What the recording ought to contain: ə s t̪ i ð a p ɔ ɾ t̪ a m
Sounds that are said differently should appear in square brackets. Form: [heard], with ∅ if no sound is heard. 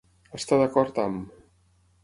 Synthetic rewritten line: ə s t̪ [a] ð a [k] ɔ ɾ t̪ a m